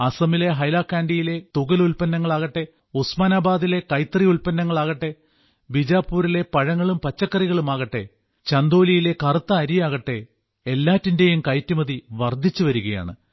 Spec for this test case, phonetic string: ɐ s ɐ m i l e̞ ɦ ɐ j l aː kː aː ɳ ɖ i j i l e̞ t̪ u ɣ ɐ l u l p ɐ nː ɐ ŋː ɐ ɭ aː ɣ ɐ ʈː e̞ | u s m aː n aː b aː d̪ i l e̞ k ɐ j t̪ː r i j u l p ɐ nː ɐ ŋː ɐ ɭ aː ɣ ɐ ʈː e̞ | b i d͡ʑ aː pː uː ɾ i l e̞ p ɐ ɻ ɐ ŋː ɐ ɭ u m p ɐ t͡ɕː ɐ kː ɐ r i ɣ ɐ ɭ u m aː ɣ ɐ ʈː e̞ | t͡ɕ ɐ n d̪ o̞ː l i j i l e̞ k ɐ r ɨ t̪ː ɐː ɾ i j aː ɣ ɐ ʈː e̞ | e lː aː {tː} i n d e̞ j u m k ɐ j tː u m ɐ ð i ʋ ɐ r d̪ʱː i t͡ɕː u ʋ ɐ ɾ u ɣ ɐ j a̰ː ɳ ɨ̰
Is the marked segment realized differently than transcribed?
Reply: no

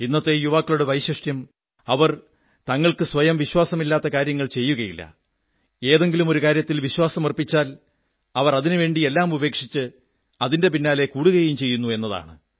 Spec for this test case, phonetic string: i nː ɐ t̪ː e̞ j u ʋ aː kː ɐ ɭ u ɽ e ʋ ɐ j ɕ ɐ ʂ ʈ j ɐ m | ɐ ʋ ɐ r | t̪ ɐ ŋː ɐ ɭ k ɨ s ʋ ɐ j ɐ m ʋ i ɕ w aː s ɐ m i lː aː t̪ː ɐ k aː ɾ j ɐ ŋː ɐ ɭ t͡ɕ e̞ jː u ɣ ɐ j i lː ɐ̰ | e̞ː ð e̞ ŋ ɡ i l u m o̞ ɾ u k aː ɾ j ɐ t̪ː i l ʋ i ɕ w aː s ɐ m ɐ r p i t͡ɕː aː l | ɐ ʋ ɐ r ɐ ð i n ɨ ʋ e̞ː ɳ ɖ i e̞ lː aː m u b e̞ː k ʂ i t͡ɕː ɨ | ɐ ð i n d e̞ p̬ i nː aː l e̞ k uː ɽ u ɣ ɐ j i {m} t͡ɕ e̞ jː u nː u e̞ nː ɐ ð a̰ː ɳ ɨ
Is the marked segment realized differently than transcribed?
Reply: no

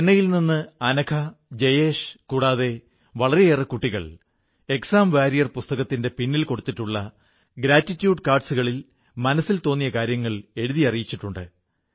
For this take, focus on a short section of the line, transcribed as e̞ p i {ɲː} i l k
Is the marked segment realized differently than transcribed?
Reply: yes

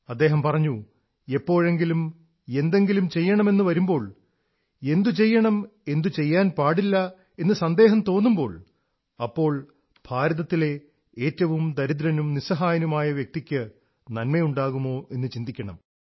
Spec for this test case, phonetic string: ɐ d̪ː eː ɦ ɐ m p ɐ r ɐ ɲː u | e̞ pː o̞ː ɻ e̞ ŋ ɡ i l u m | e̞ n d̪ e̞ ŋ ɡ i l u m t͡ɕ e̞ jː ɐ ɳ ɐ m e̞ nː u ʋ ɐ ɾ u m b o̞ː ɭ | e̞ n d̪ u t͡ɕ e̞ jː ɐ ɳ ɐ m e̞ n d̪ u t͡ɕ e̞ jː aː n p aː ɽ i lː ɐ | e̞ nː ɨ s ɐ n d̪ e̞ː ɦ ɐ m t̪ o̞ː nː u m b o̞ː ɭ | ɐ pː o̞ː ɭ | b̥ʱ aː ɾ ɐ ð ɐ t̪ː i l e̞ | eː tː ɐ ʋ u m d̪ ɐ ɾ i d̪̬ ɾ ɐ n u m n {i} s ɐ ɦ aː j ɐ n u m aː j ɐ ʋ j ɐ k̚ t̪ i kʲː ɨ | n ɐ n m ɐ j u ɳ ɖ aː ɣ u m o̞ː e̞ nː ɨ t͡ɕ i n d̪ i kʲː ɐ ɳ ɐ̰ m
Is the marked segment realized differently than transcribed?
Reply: no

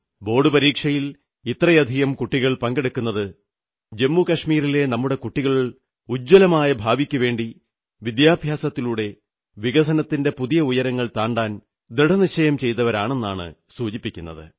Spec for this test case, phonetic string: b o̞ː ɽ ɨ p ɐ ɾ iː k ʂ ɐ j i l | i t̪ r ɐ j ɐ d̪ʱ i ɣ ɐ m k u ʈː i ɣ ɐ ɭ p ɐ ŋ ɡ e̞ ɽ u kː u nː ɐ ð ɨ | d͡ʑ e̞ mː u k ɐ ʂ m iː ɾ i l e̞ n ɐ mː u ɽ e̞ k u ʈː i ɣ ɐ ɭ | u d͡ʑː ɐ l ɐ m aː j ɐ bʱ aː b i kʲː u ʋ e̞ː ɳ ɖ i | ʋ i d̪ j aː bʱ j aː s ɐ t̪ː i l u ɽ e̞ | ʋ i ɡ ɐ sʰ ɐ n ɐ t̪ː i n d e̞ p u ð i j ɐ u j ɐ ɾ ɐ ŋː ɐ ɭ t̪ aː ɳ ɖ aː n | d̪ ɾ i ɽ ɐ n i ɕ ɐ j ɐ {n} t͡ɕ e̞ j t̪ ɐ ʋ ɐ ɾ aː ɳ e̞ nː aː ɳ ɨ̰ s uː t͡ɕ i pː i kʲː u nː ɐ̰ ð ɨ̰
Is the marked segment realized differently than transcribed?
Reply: yes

